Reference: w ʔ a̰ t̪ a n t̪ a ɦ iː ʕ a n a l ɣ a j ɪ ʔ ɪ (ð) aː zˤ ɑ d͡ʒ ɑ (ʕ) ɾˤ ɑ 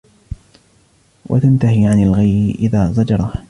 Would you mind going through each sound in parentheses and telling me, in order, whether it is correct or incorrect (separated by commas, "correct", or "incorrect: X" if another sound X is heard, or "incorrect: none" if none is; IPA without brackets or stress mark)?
correct, incorrect: none